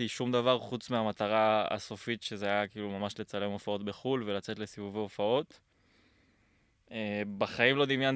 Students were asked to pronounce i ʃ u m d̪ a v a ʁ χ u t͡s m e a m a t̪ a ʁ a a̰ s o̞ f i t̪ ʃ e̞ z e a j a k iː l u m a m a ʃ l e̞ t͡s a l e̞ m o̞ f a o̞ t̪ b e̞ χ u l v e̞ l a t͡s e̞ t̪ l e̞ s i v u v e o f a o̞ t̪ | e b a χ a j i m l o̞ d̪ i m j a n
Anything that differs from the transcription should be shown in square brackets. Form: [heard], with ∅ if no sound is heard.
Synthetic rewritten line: i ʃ u m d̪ a v a ʁ χ u t͡s m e a m a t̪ a ʁ a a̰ s o̞ f i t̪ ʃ e̞ z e a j a k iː l u m a m a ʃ l e̞ t͡s a l e̞ m o̞ f a o̞ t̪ b e̞ χ u l v e̞ l a t͡s e̞ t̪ l e̞ s i v u v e o f a o̞ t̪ | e b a χ a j i m l o̞ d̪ i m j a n